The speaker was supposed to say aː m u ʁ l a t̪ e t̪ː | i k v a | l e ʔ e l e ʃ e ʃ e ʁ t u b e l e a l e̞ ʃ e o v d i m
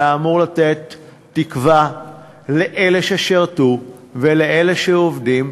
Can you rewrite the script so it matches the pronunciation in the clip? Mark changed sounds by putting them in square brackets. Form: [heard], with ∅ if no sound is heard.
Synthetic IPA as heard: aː m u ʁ l a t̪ e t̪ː | i k v a | l e ʔ e l e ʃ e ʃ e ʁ t u [v] e l e [e] l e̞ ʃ e o v d i m